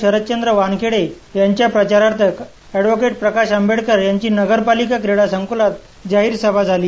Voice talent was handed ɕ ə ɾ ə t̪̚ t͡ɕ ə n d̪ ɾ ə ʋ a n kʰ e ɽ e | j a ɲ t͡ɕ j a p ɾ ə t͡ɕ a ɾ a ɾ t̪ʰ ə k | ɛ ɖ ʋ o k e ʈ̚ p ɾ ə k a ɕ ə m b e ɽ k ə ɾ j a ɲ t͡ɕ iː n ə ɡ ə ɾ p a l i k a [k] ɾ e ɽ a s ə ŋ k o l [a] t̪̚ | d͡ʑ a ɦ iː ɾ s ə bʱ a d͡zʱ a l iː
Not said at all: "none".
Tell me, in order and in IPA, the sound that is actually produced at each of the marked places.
k, a

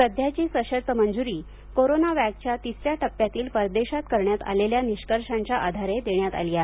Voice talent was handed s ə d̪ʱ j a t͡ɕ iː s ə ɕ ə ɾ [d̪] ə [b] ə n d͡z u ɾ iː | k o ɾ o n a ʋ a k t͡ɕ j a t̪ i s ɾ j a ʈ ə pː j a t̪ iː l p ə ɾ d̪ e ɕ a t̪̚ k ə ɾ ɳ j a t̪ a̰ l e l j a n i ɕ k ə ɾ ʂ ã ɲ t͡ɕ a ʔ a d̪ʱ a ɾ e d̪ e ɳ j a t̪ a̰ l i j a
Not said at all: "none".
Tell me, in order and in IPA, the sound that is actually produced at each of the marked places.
t̪, m

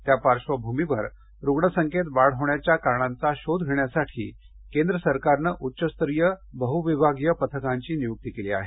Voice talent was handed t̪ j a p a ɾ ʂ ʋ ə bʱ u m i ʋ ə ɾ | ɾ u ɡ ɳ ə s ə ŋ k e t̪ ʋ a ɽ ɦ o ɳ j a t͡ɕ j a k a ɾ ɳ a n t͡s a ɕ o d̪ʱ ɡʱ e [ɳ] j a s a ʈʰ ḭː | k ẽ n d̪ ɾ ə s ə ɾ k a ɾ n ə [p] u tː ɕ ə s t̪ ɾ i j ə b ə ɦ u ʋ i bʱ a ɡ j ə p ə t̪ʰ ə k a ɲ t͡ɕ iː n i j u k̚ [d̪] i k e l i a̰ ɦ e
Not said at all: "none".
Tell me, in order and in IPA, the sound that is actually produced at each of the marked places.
ɳ, ʔ, t̪

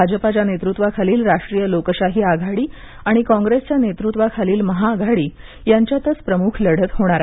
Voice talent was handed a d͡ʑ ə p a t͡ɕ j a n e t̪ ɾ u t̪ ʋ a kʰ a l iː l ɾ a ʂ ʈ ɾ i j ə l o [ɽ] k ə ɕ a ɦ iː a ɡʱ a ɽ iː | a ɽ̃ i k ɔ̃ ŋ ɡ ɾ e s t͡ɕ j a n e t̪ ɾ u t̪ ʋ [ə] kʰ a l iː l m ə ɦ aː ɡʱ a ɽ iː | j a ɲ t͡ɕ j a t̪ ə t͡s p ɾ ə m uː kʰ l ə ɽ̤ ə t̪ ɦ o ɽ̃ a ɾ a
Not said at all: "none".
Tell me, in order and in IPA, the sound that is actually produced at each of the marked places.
none, a

